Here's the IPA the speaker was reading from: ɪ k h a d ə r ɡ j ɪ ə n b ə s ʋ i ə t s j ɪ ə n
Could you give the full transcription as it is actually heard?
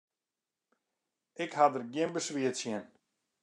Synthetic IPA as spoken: ɪ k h a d ə r ɡ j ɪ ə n b ə s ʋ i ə t s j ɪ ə n